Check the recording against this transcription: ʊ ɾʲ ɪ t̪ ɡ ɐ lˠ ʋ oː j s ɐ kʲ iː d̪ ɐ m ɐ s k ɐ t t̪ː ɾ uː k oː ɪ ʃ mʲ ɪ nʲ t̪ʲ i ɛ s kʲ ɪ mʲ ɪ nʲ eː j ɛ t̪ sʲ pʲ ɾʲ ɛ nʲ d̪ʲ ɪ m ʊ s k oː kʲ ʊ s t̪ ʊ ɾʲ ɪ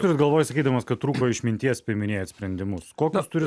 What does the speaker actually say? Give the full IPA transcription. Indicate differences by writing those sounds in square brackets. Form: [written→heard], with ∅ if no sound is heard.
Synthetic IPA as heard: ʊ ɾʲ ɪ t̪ ɡ ɐ lˠ ʋ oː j s ɐ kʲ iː d̪ ɐ m ɐ s k ɐ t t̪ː ɾ uː k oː ɪ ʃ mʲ ɪ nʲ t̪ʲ i ɛ s [kʲ→pʲ] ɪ mʲ ɪ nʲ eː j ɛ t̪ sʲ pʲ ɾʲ ɛ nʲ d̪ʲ ɪ m ʊ s k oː kʲ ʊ s t̪ ʊ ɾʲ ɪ